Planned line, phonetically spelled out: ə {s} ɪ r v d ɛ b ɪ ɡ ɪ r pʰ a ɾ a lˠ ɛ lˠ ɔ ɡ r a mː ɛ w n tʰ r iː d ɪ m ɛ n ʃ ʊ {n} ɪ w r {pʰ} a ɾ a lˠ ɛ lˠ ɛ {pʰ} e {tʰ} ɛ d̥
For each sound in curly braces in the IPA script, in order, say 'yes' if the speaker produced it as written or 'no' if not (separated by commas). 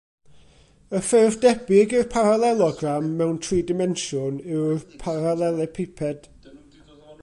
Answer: no, yes, yes, yes, no